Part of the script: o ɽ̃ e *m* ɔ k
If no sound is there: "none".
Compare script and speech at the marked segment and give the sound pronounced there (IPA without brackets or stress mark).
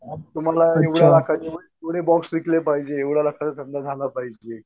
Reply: b